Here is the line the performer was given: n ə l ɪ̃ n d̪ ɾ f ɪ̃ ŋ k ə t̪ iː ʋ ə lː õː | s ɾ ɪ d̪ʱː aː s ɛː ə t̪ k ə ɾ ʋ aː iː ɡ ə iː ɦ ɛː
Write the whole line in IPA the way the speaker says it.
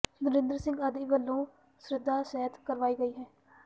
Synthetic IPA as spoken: n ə ɾ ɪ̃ n d̪ ɾ s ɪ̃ ŋ ɡ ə d̪ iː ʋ ə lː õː | s ɾ ɪ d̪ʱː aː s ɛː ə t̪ k ə ɾ ʋ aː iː ɡ ə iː ɦ ɛː